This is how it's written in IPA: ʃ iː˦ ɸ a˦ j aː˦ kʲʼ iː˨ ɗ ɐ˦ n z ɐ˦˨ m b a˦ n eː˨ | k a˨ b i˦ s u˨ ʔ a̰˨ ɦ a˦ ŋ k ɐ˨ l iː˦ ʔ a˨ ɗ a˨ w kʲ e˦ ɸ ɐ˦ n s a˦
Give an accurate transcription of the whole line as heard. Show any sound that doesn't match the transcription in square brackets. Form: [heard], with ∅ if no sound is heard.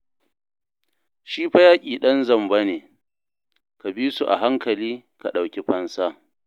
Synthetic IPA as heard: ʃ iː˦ ɸ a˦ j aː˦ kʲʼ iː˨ ɗ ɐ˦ n z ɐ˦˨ m b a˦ n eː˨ | k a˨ b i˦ s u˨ ʔ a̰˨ ɦ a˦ ŋ k ɐ˨ l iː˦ [k] a˨ ɗ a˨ w kʲ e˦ ɸ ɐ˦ n s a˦